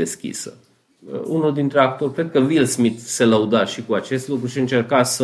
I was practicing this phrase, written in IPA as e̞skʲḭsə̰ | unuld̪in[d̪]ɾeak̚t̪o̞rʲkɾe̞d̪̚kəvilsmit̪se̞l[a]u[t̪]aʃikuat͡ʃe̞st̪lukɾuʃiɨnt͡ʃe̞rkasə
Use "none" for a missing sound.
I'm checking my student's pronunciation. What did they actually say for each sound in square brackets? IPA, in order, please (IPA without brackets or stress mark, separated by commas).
t̪, ə, d̪